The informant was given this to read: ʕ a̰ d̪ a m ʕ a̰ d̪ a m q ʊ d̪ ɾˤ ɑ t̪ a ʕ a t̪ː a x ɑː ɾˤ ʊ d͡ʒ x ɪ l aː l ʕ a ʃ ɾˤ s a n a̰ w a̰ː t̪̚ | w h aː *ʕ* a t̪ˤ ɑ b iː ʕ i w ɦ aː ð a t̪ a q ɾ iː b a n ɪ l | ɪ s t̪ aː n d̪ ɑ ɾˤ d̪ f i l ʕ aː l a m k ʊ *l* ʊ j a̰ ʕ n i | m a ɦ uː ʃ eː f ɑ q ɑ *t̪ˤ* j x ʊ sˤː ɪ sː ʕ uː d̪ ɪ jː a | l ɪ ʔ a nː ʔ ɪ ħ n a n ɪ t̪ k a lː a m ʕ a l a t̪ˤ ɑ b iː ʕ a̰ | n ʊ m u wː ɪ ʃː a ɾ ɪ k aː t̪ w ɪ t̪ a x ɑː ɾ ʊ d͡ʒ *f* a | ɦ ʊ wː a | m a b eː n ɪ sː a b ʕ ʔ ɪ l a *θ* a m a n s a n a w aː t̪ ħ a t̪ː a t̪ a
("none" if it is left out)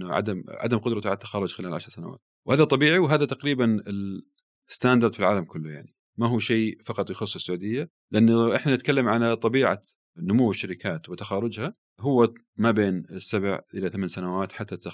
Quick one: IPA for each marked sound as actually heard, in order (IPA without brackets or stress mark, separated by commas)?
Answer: ð, lː, t̪ˤ, h, θ